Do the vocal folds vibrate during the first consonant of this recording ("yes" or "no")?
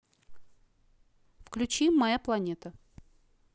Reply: no